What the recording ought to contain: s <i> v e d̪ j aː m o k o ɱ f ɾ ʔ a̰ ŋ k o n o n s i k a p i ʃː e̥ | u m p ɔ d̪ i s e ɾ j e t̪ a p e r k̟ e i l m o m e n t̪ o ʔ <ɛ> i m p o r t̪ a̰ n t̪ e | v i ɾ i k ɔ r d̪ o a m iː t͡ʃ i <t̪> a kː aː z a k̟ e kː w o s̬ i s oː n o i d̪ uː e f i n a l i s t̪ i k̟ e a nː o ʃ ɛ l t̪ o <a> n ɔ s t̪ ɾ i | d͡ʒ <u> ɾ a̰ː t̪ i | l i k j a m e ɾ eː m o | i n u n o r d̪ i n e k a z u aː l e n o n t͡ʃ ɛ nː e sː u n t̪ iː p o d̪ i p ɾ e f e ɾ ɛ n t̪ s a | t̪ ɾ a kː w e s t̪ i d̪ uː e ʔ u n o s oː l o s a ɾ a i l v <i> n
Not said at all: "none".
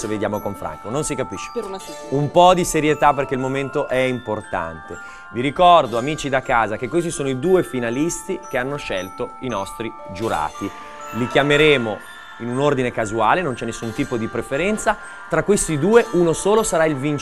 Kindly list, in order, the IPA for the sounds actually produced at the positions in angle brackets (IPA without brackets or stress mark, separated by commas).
e, ɛ, d̪, i, u, i